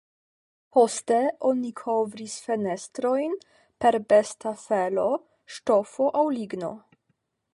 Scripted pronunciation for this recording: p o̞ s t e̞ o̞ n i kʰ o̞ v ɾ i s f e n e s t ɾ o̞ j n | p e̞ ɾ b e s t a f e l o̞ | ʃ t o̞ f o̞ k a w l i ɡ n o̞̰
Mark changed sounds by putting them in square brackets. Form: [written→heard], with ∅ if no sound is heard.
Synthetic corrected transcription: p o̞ s t e̞ o̞ n i kʰ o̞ v ɾ i s f e n e s t ɾ o̞ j n | p e̞ ɾ b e s t a f e l o̞ | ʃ t o̞ f o̞ [k→ʔ] a w l i ɡ n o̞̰

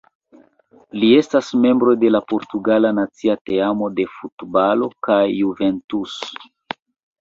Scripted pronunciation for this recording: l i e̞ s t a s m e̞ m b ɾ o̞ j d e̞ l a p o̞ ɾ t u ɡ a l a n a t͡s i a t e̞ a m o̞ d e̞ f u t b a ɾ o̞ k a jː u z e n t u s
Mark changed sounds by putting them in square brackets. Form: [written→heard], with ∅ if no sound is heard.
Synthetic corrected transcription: l i e̞ s t a s m e̞ m b ɾ o̞ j d e̞ l a p o̞ ɾ t u ɡ a l a n a t͡s i a t e̞ a m o̞ d e̞ f u t b a [ɾ→l] o̞ k a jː u [z→v] e n t u s

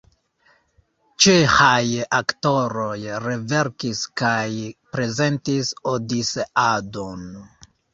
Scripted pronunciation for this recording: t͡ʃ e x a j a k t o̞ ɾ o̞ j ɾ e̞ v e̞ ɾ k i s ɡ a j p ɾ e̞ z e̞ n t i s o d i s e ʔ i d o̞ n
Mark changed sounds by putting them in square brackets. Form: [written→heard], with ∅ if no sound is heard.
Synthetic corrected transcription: t͡ʃ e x a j a k t o̞ ɾ o̞ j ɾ e̞ v e̞ ɾ k i s [ɡ→k] a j p ɾ e̞ z e̞ n t i s o d i s e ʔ [i→a] d o̞ n

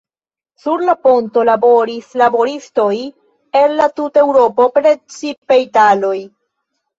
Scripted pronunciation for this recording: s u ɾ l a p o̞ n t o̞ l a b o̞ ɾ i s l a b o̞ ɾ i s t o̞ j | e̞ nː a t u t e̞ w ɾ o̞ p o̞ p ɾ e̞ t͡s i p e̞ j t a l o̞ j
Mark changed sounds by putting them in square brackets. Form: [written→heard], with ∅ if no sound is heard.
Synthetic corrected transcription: s u ɾ l a p o̞ n t o̞ l a b o̞ ɾ i s l a b o̞ ɾ i s t o̞ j | e̞ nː a t u t e̞ w ɾ o̞ p o̞ p ɾ e̞ t͡s i p e̞ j t a l o̞ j

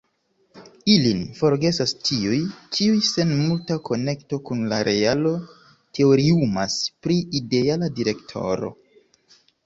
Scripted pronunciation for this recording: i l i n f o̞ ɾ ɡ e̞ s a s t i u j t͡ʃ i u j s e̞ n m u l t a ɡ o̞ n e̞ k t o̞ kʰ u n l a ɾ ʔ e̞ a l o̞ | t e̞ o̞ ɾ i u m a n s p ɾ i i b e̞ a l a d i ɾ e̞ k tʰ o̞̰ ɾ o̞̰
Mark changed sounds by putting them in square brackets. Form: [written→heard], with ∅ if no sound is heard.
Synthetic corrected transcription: i l i n f o̞ ɾ ɡ e̞ s a s t i u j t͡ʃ i u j s e̞ n m u l t a [ɡ→k] o̞ n e̞ k t o̞ [kʰ→k] u n l a ɾ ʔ e̞ a l o̞ | t e̞ o̞ ɾ i u m a [n→∅] s p ɾ i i [b→d] e̞ a l a d i ɾ e̞ k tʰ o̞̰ ɾ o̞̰

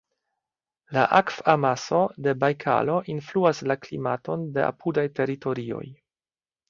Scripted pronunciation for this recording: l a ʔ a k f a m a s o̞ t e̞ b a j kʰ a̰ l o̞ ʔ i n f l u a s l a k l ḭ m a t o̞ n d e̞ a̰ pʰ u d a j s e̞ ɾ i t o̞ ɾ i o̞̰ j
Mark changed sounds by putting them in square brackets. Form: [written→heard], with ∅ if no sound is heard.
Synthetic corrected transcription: l a ʔ a k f a m a s o̞ [t→d] e̞ b a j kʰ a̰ l o̞ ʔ i n f l u a s l a k l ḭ m a t o̞ n d e̞ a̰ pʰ u d a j [s→t] e̞ ɾ i t o̞ ɾ i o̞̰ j

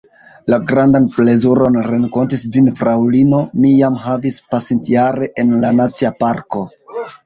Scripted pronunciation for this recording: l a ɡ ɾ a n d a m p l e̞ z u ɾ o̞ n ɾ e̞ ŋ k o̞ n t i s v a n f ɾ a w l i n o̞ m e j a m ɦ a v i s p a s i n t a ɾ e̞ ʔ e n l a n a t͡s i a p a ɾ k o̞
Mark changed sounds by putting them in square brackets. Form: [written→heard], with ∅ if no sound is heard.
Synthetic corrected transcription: l a ɡ ɾ a n d a [m→n] p l e̞ z u ɾ o̞ n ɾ e̞ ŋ k o̞ n t i s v [a→i] n f ɾ a w l i n o̞ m [e→i] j a m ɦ a v i s p a s i n t a ɾ e̞ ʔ e n l a n a t͡s i a p a ɾ k o̞

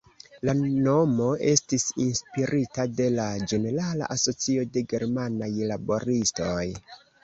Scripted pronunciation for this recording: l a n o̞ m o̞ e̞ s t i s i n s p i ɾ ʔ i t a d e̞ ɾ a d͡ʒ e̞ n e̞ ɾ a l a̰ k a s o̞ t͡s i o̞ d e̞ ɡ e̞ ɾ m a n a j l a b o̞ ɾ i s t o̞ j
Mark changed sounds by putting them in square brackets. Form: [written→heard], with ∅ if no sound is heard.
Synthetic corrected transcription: l a n o̞ m o̞ e̞ s t i s i n s p i ɾ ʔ i t a d e̞ [ɾ→l] a d͡ʒ e̞ n e̞ ɾ a l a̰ [k→ʔ] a s o̞ t͡s i o̞ d e̞ ɡ e̞ ɾ m a n a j l a b o̞ ɾ i s t o̞ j

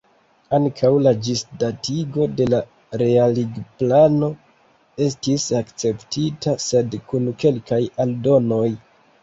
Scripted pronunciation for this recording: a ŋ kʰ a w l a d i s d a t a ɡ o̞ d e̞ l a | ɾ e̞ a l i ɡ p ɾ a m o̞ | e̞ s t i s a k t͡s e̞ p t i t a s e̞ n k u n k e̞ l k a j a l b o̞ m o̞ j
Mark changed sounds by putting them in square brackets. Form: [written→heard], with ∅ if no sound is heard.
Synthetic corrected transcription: a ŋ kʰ a w l a [d→d͡ʒ] i s d a t [a→i] ɡ o̞ d e̞ l a | ɾ e̞ a l i ɡ p [ɾ→l] a [m→n] o̞ | e̞ s t i s a k t͡s e̞ p t i t a s e̞ [n→d] k u n k e̞ l k a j a l [b→d] o̞ [m→n] o̞ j

